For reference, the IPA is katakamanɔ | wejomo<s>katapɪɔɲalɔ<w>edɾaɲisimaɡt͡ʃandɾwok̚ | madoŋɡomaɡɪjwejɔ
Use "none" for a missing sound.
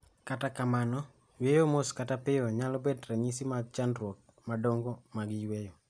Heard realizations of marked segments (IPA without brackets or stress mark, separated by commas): s, b